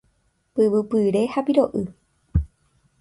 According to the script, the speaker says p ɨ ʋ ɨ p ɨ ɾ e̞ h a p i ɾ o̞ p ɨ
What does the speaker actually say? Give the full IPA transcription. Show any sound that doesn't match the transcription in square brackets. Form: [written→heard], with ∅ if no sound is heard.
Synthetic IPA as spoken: p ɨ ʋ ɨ p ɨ ɾ e̞ h a p i ɾ o̞ [p→ʔ] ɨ